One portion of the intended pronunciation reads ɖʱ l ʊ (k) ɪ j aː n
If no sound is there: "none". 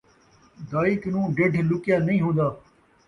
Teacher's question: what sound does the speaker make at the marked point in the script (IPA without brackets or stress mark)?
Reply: k